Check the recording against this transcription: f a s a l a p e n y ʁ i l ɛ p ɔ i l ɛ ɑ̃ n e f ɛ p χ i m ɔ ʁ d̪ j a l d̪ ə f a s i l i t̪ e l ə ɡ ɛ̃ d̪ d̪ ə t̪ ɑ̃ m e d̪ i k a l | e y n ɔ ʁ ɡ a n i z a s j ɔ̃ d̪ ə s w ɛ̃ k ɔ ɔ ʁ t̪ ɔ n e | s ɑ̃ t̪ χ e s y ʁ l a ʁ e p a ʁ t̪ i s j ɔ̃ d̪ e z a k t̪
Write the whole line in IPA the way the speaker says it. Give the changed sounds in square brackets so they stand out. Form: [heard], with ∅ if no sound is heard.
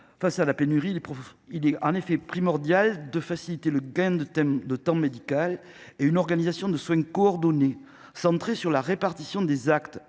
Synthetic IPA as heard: f a s a l a p e n y ʁ i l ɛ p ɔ i l ɛ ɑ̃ n e f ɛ p χ i m ɔ ʁ d̪ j a l d̪ ə f a s i l i t̪ e l ə ɡ ɛ̃ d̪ d̪ ə t̪ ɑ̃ m e d̪ i k a l | e y n ɔ ʁ ɡ a n i z a s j ɔ̃ d̪ ə s w ɛ̃ k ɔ ɔ ʁ [d̪] ɔ n e | s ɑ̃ t̪ χ e s y ʁ l a ʁ e p a ʁ t̪ i s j ɔ̃ d̪ e z a k t̪